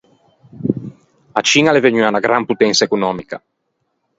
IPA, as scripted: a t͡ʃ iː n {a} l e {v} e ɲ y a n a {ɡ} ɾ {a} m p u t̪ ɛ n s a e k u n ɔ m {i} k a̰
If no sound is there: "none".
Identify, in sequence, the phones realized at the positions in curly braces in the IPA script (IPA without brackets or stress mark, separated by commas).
a, v, ɡ, a, i